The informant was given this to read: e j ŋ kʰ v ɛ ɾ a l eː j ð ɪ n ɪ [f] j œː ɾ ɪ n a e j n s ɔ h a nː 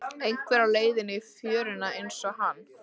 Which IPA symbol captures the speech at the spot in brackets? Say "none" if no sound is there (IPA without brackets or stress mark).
f